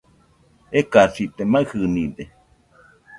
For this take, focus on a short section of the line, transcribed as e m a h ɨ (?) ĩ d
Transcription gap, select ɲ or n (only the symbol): n